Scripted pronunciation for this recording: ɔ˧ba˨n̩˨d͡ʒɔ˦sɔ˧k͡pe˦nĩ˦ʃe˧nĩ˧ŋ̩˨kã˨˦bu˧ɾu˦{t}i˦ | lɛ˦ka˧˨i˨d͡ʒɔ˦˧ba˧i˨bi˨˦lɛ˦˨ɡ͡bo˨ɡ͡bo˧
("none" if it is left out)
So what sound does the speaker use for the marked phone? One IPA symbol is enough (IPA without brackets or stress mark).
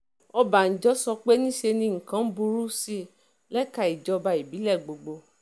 s